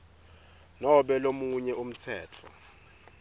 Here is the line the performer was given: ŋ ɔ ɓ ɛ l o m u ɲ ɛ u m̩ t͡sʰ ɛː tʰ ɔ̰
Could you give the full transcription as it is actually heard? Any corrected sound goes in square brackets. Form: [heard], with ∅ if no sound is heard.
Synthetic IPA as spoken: [n] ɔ ɓ ɛ l o m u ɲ ɛ u m̩ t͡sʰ ɛː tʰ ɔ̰